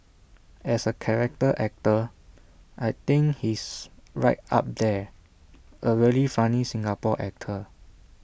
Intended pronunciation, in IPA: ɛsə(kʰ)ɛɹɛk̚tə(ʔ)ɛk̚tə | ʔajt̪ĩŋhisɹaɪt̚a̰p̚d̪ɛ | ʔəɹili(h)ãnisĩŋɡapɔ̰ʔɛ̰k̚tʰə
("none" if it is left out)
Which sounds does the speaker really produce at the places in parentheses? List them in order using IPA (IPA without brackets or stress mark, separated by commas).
kʰ, ʔ, f